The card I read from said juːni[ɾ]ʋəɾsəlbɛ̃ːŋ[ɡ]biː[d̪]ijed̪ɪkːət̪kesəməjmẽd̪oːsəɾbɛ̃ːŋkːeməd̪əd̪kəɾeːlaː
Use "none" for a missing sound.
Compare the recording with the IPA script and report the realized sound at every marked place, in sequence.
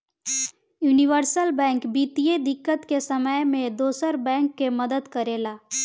none, k, t̪

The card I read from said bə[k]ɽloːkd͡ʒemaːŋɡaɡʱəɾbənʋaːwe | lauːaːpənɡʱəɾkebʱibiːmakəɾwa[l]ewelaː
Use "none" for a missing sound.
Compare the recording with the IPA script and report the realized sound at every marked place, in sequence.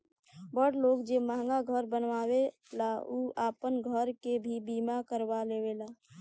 none, l

